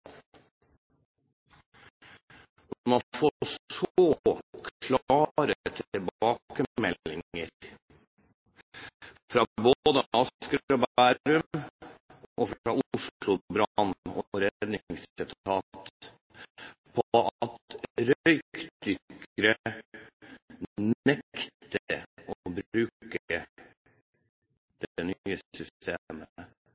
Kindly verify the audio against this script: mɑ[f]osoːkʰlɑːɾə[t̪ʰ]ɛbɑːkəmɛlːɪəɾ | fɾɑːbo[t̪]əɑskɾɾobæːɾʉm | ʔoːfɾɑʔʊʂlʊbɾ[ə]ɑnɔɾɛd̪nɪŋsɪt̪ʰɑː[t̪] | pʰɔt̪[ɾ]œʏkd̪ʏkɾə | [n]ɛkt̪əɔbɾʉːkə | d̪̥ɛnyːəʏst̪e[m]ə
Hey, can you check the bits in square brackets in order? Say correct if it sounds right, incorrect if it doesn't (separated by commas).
correct, correct, incorrect, incorrect, correct, correct, correct, correct